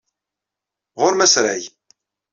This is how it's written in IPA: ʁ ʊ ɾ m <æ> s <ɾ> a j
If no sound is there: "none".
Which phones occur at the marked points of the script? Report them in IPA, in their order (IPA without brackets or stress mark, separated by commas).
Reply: æ, ɾ